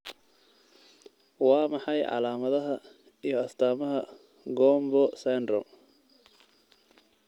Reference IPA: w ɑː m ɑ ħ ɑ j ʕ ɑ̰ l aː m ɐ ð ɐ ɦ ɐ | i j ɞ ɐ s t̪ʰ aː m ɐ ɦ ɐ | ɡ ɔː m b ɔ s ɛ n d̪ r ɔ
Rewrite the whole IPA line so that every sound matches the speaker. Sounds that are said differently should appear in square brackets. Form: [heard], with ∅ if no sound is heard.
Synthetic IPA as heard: w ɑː m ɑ ħ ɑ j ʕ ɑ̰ l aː m ɐ ð ɐ ɦ ɐ | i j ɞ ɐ s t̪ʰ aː m ɐ ɦ ɐ | ɡ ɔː m b ɔ s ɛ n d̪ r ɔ

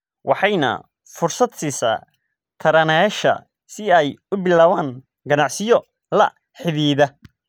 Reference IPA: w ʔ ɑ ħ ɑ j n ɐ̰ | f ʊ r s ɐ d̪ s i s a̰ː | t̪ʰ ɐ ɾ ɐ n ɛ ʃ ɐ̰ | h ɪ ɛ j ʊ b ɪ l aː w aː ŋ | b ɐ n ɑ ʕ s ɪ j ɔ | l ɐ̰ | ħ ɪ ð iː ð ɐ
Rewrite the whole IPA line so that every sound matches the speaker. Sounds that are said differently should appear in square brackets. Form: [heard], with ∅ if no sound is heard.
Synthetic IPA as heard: w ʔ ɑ ħ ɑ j n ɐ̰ | f ʊ r s ɐ d̪ s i s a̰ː | t̪ʰ ɐ ɾ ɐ n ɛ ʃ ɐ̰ | [s] ɪ ɛ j ʊ b ɪ l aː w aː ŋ | [ɡ] ɐ n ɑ ʕ s ɪ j ɔ | l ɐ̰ | ħ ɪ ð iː ð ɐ

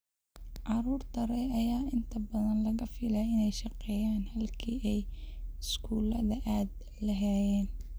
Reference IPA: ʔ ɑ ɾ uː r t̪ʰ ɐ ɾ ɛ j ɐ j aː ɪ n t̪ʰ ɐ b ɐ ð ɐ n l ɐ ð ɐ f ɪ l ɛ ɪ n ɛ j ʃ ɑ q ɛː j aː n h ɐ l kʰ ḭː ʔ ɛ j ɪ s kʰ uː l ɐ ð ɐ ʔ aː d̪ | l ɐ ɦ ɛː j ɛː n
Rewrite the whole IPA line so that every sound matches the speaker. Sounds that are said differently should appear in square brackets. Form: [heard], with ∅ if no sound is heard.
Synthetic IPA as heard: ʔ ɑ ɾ uː r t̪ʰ ɐ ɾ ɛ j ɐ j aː ɪ n t̪ʰ ɐ b ɐ ð ɐ n l ɐ [ɣ] ɐ f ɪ l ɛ ɪ n ɛ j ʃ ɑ q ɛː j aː n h ɐ l kʰ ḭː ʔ ɛ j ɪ s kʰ uː l ɐ ð ɐ ʔ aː d̪ | l ɐ ɦ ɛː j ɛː n

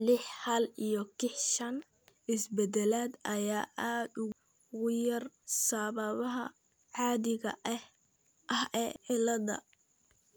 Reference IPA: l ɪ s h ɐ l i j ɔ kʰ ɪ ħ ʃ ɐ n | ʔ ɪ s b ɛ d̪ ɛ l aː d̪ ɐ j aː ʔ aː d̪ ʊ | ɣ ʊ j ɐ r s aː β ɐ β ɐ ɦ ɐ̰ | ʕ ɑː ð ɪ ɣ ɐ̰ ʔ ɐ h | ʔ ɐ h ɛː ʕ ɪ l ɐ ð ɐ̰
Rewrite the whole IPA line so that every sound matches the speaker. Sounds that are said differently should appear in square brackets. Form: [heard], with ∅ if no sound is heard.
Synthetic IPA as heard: l ɪ [ħ] h ɐ l i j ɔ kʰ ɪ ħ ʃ ɐ n | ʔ ɪ s b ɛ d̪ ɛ l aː d̪ ɐ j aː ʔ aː d̪ ʊ | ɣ ʊ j ɐ r s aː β ɐ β ɐ ɦ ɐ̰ | ʕ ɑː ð ɪ ɣ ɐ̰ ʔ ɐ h | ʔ ɐ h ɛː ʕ ɪ l ɐ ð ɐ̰

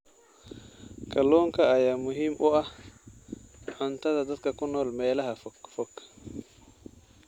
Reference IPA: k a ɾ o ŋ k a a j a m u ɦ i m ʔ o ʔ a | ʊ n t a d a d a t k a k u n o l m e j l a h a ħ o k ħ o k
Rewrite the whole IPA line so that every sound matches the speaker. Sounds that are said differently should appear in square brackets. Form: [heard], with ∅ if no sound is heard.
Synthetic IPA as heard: k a [l] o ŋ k a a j a m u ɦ i m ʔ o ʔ a | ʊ n t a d a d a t k a k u n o l m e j l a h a [f] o k [f] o k

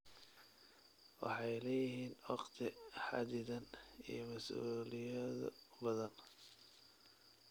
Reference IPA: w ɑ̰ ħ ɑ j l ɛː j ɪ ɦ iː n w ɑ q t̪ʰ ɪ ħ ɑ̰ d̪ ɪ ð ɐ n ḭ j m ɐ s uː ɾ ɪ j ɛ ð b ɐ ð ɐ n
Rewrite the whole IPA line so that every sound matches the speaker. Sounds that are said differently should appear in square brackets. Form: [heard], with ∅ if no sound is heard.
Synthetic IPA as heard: w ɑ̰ ħ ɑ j l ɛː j ɪ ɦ iː n w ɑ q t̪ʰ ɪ ħ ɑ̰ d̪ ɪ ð ɐ n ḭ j m ɐ s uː [l] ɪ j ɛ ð b ɐ ð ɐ n

